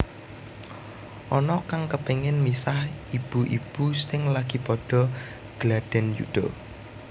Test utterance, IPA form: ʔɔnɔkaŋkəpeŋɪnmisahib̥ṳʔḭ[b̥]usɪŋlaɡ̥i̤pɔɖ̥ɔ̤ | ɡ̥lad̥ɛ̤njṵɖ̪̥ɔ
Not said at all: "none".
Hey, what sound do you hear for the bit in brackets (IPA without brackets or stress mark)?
b̥